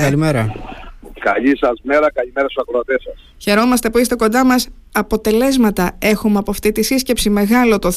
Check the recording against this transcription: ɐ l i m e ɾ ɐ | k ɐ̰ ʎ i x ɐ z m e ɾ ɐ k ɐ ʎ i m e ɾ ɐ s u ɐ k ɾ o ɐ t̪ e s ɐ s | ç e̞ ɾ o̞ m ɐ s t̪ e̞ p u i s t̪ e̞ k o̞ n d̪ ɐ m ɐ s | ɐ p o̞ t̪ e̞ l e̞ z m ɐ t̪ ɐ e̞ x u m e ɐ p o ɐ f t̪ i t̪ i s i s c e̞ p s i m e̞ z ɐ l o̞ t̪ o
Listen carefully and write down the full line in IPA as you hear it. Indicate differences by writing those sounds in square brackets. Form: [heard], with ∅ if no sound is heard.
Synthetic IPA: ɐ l i m e ɾ ɐ | k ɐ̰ ʎ i [s] ɐ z m e ɾ ɐ k ɐ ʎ i m e ɾ ɐ s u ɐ k ɾ o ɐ t̪ e s ɐ s | ç e̞ ɾ o̞ m ɐ s t̪ e̞ p u i s t̪ e̞ k o̞ n d̪ ɐ m ɐ s | ɐ p o̞ t̪ e̞ l e̞ z m ɐ t̪ ɐ e̞ x u m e ɐ p o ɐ f t̪ i t̪ i s i s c e̞ p s i m e̞ [ɣ] ɐ l o̞ t̪ o